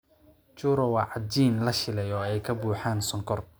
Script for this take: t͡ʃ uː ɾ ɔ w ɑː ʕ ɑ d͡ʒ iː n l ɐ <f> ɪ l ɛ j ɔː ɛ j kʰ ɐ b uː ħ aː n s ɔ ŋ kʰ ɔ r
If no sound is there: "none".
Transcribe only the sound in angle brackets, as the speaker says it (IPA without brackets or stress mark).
ʃ